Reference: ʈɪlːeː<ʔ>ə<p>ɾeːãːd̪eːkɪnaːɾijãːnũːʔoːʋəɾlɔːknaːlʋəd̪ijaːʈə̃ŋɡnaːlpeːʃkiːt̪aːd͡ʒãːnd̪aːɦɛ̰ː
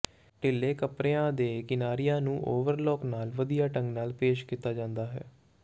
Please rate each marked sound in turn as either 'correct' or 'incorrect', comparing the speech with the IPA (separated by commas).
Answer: incorrect, correct